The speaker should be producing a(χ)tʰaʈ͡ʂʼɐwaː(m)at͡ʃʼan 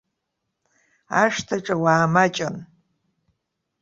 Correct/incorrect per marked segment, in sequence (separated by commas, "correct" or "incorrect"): incorrect, correct